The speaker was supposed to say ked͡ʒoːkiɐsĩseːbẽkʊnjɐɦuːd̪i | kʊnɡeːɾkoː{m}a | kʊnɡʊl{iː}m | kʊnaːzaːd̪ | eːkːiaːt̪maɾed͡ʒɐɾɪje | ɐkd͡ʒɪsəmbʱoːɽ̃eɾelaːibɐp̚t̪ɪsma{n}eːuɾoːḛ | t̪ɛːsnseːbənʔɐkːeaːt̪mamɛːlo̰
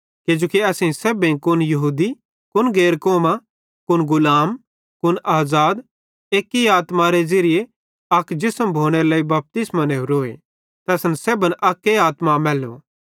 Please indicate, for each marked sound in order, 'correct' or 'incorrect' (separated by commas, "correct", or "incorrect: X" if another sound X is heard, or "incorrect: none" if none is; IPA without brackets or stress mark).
correct, incorrect: aː, correct